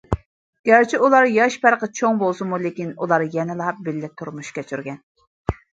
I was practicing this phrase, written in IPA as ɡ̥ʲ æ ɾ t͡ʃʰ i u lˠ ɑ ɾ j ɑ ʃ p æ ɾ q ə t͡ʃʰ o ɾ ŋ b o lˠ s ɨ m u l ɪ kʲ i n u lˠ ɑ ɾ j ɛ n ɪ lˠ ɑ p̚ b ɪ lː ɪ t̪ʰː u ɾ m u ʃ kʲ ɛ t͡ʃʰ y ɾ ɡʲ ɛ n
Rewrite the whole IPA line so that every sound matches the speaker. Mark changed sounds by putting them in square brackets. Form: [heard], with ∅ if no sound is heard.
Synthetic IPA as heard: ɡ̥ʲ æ ɾ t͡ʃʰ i u lˠ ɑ ɾ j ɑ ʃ p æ ɾ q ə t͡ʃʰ o [∅] ŋ b o lˠ s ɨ m u l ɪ kʲ i n u lˠ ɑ ɾ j ɛ n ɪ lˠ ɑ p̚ b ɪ lː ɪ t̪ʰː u ɾ m u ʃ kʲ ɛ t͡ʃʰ y ɾ ɡʲ ɛ n